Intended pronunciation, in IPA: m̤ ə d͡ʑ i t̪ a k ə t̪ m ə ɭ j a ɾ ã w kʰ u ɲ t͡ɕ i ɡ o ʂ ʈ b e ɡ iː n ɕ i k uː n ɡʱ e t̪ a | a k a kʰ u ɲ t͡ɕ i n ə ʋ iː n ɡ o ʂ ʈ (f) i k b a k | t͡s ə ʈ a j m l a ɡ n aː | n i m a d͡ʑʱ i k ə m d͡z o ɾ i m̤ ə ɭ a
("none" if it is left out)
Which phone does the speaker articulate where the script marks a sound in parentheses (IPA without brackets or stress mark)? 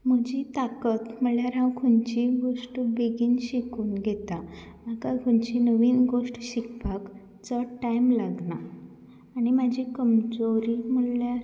ɕ